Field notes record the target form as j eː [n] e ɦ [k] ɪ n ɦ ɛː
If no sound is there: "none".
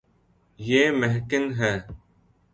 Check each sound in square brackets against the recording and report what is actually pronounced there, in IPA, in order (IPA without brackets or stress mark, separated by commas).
m, k